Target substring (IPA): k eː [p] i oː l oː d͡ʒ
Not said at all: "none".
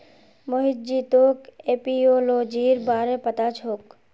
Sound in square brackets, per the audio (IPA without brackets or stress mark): p